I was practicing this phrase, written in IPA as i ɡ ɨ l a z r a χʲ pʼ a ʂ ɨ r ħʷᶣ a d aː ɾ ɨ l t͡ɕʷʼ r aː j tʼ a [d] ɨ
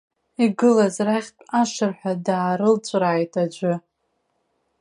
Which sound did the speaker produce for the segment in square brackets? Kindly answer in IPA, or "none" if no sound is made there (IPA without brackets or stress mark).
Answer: d͡ʒʷ